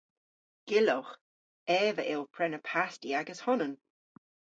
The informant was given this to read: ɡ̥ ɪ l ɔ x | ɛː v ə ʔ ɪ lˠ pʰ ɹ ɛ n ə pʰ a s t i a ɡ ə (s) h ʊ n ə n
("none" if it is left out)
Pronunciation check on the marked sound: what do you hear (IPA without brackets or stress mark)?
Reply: s